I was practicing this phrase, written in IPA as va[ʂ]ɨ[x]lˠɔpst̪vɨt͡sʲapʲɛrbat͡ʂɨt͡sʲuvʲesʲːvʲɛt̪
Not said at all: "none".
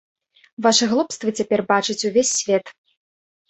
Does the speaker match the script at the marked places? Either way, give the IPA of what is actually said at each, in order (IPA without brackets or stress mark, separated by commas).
ʂ, ɣ